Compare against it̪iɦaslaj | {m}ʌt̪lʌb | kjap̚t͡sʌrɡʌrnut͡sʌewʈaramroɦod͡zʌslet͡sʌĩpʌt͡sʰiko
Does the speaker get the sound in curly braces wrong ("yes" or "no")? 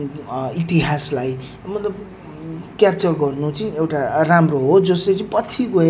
no